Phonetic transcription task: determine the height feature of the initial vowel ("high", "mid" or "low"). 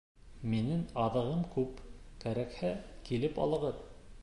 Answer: high